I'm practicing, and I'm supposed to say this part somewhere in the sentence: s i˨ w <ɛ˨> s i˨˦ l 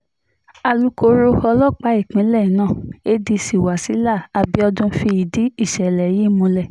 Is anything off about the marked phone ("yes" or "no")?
yes